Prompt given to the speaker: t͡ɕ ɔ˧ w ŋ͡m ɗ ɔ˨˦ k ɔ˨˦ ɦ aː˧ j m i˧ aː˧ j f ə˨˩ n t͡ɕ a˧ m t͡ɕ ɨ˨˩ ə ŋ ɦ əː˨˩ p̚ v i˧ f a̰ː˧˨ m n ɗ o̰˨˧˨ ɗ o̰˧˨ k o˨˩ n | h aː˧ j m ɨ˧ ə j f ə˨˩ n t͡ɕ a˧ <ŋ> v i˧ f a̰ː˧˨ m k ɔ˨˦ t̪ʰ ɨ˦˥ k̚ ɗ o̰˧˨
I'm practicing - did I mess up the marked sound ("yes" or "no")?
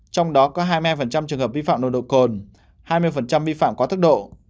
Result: yes